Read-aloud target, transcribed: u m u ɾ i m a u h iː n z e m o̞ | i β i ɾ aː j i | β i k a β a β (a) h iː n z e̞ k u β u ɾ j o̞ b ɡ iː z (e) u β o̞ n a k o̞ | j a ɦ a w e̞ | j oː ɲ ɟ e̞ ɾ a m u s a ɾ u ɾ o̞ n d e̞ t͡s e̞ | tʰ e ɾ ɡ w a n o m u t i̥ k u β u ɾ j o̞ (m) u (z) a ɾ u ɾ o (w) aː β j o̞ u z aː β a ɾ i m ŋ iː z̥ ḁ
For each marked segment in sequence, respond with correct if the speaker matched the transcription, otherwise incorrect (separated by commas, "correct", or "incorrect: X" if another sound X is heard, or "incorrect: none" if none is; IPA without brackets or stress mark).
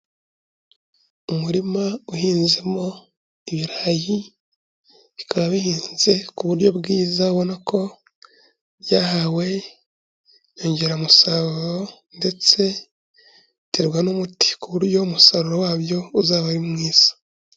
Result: incorrect: i, incorrect: a, correct, incorrect: s, correct